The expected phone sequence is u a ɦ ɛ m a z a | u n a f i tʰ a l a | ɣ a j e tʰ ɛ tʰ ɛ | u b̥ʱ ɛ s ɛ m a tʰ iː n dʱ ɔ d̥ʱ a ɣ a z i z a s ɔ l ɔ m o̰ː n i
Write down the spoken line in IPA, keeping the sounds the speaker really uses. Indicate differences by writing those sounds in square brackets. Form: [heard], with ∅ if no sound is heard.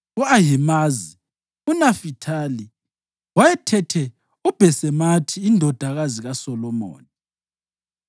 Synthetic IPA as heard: u a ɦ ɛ m a z [i] | u n a f i tʰ a l [i] | [w] a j [ɛ] tʰ ɛ tʰ ɛ | u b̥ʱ ɛ s ɛ m a tʰ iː n dʱ ɔ d̥ʱ a ɣ a z i [ɣ] a s ɔ l ɔ m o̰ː n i